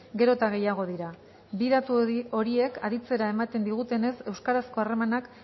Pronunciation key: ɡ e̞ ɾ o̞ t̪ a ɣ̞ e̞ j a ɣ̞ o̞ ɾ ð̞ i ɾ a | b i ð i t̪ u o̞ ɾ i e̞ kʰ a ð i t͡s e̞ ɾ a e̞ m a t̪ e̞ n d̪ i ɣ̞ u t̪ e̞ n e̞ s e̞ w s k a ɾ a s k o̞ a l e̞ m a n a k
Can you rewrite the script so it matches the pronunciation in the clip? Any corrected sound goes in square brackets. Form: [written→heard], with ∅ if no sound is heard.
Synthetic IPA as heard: ɡ e̞ ɾ o̞ t̪ a ɣ̞ e̞ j a ɣ̞ o̞ [ɾ→∅] ð̞ i ɾ a | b i ð [i→a] t̪ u o̞ ɾ i e̞ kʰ a ð i t͡s e̞ ɾ a e̞ m a t̪ e̞ n d̪ i ɣ̞ u t̪ e̞ n e̞ s e̞ w s k a ɾ a s k o̞ a [l→r] e̞ m a n a k